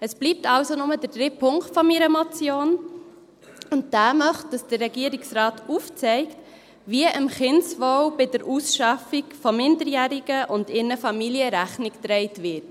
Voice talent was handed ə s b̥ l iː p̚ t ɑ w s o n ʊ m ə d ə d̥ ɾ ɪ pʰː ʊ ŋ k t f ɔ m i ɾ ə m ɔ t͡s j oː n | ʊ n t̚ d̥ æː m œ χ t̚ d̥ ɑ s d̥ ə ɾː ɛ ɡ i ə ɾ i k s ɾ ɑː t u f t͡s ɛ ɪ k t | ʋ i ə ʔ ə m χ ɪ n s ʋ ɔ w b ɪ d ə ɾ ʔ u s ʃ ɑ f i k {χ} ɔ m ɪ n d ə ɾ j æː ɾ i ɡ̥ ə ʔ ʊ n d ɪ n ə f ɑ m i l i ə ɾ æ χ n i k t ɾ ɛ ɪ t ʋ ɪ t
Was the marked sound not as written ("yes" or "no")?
yes